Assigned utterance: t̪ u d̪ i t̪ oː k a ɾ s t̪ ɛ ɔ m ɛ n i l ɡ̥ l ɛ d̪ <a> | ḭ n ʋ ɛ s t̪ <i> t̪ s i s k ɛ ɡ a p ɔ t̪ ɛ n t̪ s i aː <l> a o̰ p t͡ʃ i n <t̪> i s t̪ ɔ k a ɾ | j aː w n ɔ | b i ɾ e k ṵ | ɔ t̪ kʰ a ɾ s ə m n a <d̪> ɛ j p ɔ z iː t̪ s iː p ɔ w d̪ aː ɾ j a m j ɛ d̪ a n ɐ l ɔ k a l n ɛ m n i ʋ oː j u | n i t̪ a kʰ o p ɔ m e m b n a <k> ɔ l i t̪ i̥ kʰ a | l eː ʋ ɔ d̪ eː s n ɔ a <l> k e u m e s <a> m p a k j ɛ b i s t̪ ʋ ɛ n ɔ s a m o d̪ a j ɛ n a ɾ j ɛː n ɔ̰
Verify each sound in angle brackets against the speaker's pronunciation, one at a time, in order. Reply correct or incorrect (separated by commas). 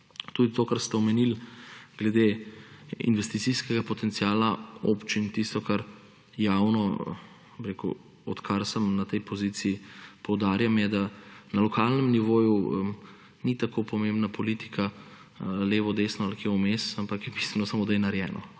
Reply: incorrect, correct, correct, correct, incorrect, incorrect, correct, correct